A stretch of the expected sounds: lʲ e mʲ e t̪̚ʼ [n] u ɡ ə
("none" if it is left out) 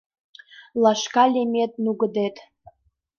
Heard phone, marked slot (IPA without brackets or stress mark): n